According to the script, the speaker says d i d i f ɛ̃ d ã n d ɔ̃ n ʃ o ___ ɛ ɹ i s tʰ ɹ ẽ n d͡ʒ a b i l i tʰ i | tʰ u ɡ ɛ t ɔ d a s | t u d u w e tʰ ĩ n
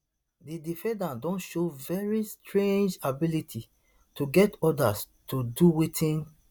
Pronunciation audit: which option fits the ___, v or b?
v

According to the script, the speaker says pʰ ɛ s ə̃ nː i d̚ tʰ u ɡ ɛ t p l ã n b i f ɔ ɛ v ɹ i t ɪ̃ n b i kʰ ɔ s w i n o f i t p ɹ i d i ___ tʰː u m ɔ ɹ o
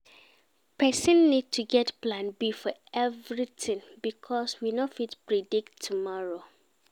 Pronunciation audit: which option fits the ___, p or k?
k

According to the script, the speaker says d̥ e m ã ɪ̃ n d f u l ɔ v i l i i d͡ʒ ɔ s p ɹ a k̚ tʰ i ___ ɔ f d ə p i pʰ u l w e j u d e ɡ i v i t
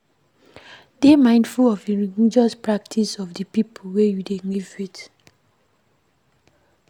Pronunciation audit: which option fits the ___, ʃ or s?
s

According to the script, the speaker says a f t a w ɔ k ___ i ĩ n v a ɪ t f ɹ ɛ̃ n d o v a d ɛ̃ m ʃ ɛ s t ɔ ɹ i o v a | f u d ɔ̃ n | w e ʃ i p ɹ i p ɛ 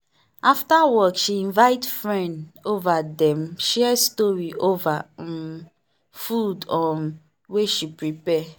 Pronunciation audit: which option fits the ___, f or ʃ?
ʃ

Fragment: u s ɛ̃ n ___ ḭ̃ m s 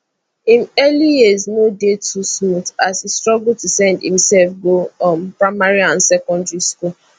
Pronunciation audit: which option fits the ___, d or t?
d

